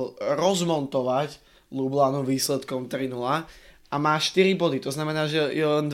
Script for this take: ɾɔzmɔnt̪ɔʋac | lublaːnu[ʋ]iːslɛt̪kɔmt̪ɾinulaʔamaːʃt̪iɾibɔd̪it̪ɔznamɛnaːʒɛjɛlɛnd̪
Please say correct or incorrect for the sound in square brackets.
correct